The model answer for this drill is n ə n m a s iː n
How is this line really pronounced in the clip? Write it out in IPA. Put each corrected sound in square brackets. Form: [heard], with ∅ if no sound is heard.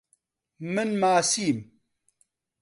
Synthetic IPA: [m] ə n m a s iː [m]